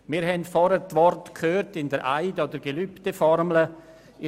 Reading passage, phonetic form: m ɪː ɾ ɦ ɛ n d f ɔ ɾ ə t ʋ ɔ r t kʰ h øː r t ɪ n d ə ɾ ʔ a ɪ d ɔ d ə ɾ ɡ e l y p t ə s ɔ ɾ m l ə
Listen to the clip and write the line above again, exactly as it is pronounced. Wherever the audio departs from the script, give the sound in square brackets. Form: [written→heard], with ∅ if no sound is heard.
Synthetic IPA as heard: m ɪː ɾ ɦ ɛ n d f ɔ ɾ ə t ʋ ɔ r t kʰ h øː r t ɪ n d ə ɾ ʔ a ɪ d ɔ d ə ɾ ɡ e l y p t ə [s→f] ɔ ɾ m l ə

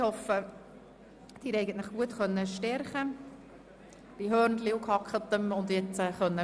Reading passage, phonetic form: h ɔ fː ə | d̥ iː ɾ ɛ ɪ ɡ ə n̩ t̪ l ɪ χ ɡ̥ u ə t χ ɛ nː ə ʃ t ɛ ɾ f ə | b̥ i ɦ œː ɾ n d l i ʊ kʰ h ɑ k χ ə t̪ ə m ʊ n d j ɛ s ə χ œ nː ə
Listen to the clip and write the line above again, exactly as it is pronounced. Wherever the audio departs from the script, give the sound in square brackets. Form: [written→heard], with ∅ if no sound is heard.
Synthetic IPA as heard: h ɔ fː ə | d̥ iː ɾ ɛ ɪ ɡ ə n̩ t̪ l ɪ χ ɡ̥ u ə t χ [ɛ→œ] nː ə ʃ t ɛ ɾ [f→χ] ə | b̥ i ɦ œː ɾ n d l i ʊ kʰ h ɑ k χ ə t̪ ə m ʊ n d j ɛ [s→t͡s] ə χ œ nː ə

